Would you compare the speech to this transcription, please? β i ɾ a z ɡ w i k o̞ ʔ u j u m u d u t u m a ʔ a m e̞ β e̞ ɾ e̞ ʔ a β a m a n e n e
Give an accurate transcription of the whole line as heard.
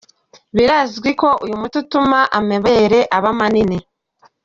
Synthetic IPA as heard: β i ɾ a z ɡ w i k o̞ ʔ u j u m u t u t u m a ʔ a m e̞ β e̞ ɾ e̞ ʔ a β a m a n i n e